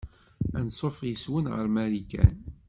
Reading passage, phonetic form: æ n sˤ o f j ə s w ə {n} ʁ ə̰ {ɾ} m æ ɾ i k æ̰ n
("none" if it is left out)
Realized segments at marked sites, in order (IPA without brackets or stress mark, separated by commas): n, ɾ